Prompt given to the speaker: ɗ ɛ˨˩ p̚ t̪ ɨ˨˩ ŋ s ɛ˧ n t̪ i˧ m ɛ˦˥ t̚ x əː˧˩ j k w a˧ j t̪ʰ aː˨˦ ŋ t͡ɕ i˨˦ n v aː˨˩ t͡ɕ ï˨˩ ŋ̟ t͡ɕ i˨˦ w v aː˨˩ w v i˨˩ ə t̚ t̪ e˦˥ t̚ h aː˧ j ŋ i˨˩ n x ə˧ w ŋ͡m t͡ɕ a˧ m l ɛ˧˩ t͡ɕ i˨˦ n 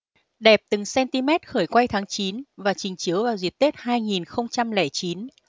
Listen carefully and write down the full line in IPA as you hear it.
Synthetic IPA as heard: ɗ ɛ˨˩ p̚ t̪ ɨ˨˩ ŋ s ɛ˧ n t̪ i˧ m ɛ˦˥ t̚ x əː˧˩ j k w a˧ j t̪ʰ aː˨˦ ŋ t͡ɕ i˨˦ n v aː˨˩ t͡ɕ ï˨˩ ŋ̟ t͡ɕ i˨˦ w v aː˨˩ w z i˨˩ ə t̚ t̪ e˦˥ t̚ h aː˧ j ŋ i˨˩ n x ə˧ w ŋ͡m t͡ɕ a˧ m l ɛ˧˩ t͡ɕ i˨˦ n